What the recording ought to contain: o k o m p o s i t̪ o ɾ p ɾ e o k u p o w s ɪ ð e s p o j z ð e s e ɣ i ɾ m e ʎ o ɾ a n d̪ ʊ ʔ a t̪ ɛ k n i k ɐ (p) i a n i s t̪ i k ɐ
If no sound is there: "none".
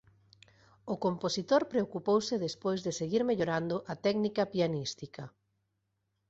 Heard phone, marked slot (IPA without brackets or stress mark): p